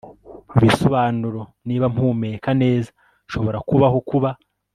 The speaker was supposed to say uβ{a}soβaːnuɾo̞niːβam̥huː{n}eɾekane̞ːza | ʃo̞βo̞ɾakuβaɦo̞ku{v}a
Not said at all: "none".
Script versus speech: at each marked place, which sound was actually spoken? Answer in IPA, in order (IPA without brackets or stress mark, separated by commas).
i, m, β